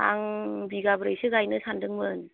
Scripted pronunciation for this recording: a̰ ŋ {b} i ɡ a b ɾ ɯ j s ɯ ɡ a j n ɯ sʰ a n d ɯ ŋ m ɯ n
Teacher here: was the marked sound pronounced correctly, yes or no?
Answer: yes